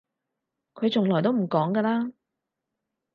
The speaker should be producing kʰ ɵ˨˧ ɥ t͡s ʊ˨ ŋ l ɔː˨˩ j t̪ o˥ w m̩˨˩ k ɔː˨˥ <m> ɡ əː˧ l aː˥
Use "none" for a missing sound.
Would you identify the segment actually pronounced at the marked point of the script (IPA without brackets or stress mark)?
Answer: ŋ